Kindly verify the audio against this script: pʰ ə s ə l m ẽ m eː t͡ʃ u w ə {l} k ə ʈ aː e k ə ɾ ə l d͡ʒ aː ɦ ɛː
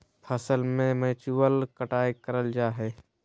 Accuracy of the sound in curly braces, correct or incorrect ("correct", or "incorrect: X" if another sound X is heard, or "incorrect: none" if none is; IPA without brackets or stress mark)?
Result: correct